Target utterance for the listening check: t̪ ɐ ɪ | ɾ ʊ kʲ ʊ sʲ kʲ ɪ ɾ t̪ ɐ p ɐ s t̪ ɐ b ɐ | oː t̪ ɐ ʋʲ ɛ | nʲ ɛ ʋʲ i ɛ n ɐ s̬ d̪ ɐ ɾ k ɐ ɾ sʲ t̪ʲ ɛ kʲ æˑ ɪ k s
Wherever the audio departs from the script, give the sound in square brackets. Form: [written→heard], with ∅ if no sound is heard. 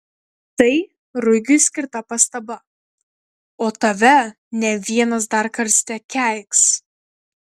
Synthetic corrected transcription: t̪ ɐ ɪ | ɾ ʊ [kʲ→ɡʲ] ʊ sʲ kʲ ɪ ɾ t̪ ɐ p ɐ s t̪ ɐ b ɐ | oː t̪ ɐ ʋʲ ɛ | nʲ ɛ ʋʲ i ɛ n ɐ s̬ d̪ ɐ ɾ k ɐ ɾ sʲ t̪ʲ ɛ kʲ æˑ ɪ k s

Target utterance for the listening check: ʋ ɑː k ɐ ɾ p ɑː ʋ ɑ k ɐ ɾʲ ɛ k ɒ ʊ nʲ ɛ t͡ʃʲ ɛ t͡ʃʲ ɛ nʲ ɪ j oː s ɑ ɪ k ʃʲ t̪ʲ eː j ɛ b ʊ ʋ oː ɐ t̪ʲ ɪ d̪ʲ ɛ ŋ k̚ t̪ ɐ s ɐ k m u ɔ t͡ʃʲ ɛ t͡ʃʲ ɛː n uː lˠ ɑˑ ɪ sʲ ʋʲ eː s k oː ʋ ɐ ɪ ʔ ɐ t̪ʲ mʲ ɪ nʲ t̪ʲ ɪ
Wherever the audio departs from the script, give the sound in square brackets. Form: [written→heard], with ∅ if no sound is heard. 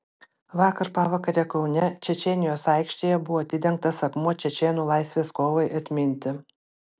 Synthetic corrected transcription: ʋ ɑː k ɐ ɾ p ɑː ʋ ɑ k ɐ ɾʲ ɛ k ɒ ʊ nʲ ɛ t͡ʃʲ ɛ t͡ʃʲ ɛ nʲ ɪ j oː s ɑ ɪ k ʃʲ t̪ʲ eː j ɛ b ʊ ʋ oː ɐ t̪ʲ ɪ d̪ʲ ɛ ŋ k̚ t̪ ɐ s ɐ k m u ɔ t͡ʃʲ ɛ t͡ʃʲ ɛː n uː lˠ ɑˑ ɪ sʲ ʋʲ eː s k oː ʋ ɐ ɪ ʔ ɐ t̪ʲ mʲ ɪ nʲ t̪ʲ ɪ

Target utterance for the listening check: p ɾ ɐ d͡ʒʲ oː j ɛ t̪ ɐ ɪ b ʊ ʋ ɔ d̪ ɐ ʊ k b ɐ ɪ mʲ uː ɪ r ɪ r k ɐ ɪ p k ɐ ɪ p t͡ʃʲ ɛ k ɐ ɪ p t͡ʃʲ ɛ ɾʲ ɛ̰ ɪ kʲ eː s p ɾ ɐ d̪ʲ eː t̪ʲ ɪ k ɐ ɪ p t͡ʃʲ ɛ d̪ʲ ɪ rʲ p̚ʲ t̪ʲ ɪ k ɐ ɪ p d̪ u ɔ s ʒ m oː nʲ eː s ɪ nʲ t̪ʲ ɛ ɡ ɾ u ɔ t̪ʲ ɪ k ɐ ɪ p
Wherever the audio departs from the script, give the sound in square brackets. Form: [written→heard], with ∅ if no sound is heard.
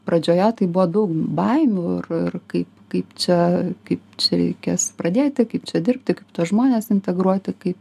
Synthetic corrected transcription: p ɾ ɐ d͡ʒʲ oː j ɛ t̪ ɐ ɪ b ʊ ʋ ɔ d̪ ɐ ʊ k b ɐ ɪ mʲ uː ɪ r ɪ r k ɐ ɪ p k ɐ ɪ p t͡ʃʲ ɛ k ɐ ɪ p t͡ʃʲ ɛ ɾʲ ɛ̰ ɪ kʲ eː s p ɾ ɐ d̪ʲ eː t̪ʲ ɪ k ɐ ɪ p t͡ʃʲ ɛ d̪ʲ ɪ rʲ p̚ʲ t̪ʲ ɪ k ɐ ɪ p [d̪→t̪] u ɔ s ʒ m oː nʲ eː s ɪ nʲ t̪ʲ ɛ ɡ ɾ u ɔ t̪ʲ ɪ k ɐ ɪ p

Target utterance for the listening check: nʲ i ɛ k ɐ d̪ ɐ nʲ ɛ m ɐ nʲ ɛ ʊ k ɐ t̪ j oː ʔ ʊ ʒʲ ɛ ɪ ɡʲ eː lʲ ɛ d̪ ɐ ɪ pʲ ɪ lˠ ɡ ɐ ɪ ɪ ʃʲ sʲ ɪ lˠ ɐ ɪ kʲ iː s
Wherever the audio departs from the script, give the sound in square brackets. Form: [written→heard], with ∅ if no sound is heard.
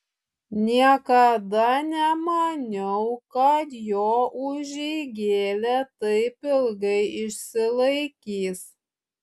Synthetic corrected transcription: nʲ i ɛ k ɐ d̪ ɐ nʲ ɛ m ɐ nʲ ɛ ʊ k ɐ t̪ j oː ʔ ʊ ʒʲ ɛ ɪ ɡʲ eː lʲ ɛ [d̪→t̪] ɐ ɪ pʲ ɪ lˠ ɡ ɐ ɪ ɪ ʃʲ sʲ ɪ lˠ ɐ ɪ kʲ iː s

